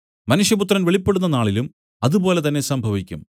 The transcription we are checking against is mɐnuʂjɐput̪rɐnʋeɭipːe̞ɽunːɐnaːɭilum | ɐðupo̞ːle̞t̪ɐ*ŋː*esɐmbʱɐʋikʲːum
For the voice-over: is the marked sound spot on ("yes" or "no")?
no